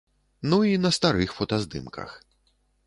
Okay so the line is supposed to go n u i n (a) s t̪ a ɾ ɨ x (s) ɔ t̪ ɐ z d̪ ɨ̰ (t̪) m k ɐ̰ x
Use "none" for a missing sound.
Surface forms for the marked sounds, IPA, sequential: ɐ, f, none

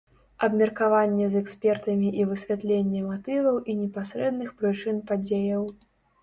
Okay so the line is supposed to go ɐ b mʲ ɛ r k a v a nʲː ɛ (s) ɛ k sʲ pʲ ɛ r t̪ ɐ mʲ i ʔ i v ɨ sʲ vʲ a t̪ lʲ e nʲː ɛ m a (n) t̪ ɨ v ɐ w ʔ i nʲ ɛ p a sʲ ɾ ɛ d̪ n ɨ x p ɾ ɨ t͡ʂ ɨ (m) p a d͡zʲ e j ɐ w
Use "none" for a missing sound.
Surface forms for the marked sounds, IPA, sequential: z, none, n

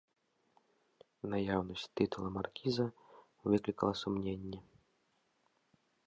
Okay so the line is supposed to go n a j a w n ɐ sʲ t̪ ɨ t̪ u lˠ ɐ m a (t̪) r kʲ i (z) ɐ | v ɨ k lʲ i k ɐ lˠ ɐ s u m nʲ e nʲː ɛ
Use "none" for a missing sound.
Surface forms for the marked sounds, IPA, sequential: none, z

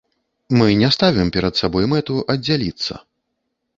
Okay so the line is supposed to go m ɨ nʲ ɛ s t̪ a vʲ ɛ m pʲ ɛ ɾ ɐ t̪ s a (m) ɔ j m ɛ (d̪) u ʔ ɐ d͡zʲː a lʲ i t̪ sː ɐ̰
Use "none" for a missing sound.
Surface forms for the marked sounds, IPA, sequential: b, t̪

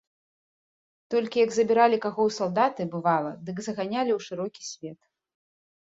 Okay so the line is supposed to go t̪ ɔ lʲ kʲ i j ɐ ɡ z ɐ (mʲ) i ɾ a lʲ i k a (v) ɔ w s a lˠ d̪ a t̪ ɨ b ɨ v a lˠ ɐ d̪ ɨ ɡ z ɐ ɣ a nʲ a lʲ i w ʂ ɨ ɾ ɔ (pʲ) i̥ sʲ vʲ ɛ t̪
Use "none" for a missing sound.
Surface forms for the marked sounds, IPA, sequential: bʲ, ɣ, kʲ

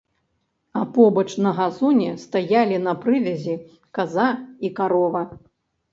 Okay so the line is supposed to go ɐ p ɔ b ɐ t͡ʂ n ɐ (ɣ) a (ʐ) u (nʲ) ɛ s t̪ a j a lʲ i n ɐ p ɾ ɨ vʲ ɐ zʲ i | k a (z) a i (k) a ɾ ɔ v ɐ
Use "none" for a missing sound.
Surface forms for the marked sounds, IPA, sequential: ɣ, z, nʲ, z, k

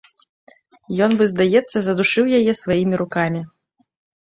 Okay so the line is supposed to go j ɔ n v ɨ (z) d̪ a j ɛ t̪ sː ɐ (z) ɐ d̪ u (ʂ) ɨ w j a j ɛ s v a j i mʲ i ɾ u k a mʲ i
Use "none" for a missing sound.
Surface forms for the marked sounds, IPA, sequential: z, z, ʂ

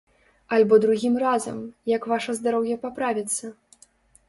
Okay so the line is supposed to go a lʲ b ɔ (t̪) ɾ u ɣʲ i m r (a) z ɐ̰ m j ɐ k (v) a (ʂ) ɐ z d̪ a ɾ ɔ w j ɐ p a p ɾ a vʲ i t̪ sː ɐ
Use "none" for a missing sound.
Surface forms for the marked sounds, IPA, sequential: d̪, a, v, ʂ

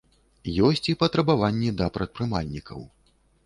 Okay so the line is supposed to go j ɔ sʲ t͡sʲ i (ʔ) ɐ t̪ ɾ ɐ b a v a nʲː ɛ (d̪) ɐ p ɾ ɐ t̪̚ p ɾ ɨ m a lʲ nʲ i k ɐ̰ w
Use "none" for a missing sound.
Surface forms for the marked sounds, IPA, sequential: p, d̪

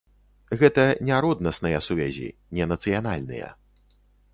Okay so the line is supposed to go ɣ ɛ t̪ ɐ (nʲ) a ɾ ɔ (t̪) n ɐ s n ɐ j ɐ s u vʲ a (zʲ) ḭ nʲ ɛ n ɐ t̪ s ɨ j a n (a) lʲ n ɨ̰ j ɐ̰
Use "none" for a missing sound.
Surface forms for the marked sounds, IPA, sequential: nʲ, d̪, zʲ, a

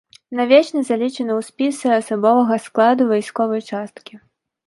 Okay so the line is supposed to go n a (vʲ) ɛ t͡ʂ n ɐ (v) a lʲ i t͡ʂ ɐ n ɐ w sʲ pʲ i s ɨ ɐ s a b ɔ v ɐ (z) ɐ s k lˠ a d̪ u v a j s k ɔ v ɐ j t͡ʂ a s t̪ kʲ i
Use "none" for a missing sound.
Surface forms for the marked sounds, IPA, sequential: vʲ, z, ɣ

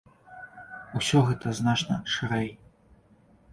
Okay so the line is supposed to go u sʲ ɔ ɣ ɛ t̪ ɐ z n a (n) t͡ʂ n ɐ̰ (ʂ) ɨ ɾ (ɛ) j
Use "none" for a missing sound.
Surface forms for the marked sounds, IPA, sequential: none, ʂ, ɛ

